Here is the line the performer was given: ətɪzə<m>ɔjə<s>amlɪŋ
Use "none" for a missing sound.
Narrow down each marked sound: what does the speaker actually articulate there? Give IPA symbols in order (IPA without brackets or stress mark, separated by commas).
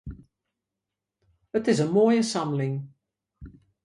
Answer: m, s